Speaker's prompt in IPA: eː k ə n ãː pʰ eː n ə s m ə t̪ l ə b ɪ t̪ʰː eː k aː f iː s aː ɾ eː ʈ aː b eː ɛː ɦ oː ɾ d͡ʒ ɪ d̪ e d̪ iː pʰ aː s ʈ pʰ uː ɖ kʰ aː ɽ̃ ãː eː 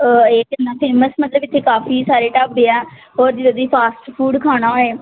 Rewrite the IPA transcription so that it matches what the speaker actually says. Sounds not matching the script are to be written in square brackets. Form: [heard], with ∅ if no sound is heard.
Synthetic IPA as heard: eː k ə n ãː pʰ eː [m] ə s m ə t̪ l ə b ɪ t̪ʰː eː k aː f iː s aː ɾ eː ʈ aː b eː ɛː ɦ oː ɾ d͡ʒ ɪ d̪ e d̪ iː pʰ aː s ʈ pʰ uː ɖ kʰ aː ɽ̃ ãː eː